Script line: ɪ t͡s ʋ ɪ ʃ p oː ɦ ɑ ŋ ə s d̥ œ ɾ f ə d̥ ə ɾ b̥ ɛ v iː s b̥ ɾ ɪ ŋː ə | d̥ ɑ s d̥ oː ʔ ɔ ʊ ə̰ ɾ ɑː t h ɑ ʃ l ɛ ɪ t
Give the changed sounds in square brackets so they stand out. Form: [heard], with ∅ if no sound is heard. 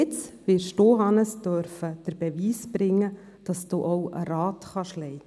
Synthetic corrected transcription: ɪ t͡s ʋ ɪ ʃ [t] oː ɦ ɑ [n] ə s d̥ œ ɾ f ə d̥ ə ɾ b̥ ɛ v iː s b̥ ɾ ɪ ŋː ə | d̥ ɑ s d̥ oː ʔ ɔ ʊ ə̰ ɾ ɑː t [χ] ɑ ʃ l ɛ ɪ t